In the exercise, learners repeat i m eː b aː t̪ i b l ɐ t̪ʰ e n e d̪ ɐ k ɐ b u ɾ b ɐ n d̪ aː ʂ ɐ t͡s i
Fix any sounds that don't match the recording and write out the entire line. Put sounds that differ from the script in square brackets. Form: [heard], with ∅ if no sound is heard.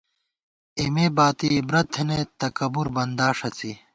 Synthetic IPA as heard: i m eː b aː t̪ i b [ɾ] ɐ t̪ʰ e n e [t̪] ɐ k ɐ b u ɾ b ɐ n d̪ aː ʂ ɐ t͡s i